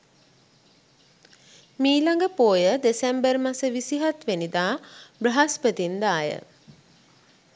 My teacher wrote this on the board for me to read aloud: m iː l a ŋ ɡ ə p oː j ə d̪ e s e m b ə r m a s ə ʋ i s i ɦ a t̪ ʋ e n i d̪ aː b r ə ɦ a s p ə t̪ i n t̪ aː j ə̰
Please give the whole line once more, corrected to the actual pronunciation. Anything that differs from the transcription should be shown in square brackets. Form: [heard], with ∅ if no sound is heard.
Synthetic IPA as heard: m iː l a ŋ ɡ ə p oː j ə d̪ e s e m b ə r m a s ə ʋ i s i ɦ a t̪ ʋ e n i d̪ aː b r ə ɦ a s p ə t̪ i n [d̪] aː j ə̰